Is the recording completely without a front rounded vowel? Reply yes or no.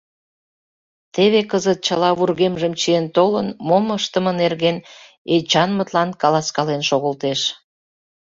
yes